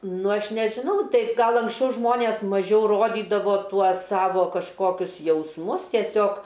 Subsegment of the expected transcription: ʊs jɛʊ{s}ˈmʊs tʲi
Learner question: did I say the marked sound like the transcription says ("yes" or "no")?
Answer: yes